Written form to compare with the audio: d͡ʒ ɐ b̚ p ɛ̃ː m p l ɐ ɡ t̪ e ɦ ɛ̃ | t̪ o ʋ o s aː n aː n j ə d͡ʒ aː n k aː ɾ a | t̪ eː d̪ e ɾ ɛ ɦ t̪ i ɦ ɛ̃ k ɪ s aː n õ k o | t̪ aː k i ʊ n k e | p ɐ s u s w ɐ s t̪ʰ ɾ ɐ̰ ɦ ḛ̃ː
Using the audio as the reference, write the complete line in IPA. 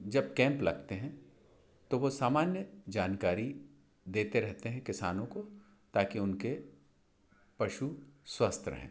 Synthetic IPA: d͡ʒ ɐ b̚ k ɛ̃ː m p l ɐ ɡ t̪ e ɦ ɛ̃ | t̪ o ʋ o s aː m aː n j ə d͡ʒ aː n k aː ɾ i | d̪ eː t̪ e ɾ ɛ ɦ t̪ e ɦ ɛ̃ k ɪ s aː n õ k o | t̪ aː k i ʊ n k e | p ɐ ʃ u s w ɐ s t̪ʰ ɾ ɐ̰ ɦ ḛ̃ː